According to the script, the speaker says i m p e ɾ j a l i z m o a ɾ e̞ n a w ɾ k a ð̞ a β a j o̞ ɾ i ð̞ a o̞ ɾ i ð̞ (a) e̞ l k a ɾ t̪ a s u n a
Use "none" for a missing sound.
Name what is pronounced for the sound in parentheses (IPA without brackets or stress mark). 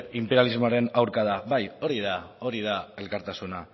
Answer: a